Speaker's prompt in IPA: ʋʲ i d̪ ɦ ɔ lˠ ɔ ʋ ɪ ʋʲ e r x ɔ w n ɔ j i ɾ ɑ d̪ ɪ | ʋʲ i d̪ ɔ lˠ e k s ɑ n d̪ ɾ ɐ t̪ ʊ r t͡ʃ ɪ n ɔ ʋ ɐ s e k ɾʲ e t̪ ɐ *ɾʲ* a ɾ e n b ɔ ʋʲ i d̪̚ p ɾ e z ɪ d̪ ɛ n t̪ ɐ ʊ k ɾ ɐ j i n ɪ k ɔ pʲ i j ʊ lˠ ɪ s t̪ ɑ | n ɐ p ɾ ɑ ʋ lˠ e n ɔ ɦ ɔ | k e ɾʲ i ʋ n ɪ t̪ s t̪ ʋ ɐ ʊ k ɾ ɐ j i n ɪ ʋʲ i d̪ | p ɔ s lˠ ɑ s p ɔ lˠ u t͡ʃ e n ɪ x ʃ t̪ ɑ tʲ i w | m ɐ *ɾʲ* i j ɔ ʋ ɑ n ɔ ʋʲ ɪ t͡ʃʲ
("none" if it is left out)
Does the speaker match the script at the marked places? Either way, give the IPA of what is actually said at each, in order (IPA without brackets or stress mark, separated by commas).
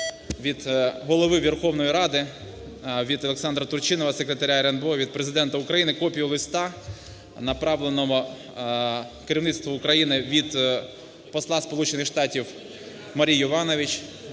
ɾʲ, ɾʲ